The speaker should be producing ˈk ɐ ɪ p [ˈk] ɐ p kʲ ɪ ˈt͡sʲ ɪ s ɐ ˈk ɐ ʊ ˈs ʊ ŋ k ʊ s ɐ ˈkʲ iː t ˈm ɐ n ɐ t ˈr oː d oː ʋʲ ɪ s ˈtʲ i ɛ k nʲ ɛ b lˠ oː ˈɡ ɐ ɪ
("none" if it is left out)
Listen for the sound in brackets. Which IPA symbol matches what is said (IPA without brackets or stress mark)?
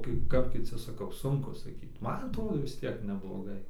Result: k